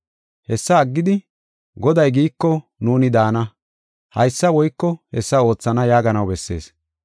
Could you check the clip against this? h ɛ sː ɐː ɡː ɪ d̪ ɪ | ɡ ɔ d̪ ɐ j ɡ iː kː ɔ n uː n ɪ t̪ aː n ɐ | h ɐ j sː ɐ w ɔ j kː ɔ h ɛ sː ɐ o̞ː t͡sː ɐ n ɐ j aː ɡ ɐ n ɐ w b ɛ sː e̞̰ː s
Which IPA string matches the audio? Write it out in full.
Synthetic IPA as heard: h ɛ sː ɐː ɡː ɪ d̪ ɪ | ɡ ɔ d̪ ɐ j ɡ iː kː ɔ n uː n ɪ d̪ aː n ɐ | h ɐ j sː ɐ w ɔ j kː ɔ h ɛ sː ɐ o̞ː t͡sː ɐ n ɐ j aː ɡ ɐ n ɐ w b ɛ sː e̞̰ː s